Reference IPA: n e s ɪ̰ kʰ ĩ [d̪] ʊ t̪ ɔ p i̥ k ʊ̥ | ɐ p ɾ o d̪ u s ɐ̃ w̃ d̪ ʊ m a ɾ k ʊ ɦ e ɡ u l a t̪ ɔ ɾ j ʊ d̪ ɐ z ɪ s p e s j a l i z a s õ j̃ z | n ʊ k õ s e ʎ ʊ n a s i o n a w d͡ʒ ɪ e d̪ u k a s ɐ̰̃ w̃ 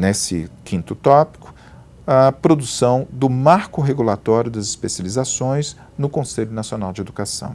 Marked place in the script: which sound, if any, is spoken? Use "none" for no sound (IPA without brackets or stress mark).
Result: t̪